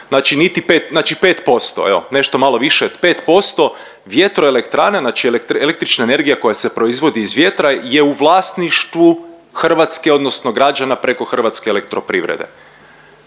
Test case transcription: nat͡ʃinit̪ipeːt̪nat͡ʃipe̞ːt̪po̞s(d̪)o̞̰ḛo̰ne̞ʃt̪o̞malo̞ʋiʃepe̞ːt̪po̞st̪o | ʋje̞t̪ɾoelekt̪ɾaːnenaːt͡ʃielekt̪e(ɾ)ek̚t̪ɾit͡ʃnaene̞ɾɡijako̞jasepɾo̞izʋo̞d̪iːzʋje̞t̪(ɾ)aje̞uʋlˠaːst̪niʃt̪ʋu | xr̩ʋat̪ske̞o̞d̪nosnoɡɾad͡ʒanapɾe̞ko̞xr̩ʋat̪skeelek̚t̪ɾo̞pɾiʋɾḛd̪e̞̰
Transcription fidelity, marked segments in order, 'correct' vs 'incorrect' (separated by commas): incorrect, incorrect, correct